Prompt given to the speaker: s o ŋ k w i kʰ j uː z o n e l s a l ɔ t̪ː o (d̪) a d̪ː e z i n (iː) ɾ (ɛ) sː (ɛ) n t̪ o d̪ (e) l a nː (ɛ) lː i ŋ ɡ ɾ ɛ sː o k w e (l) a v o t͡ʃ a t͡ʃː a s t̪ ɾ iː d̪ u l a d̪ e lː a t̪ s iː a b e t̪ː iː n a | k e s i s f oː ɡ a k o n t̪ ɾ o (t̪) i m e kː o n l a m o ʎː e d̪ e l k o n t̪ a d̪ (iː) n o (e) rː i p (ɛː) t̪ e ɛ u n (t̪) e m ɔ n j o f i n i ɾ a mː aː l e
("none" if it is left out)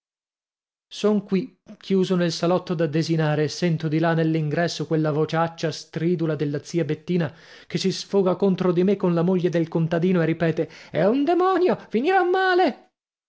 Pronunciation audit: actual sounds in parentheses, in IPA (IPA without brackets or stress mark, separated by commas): d̪, aː, e, ɛ, i, e, lː, d̪, iː, e, ɛː, d̪